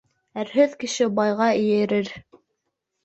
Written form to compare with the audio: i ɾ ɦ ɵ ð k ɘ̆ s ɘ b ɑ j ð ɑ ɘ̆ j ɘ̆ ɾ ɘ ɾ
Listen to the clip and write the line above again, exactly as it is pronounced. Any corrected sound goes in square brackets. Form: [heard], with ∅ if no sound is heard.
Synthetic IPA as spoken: [æ] ɾ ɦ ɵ ð k ɘ̆ [ʃ] ɘ b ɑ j [ʁ] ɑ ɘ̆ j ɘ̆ ɾ ɘ ɾ